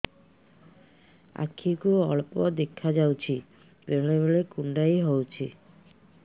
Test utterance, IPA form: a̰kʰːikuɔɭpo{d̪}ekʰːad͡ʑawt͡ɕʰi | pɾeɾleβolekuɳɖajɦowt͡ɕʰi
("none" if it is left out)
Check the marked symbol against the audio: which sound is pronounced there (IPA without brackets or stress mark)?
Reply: d̪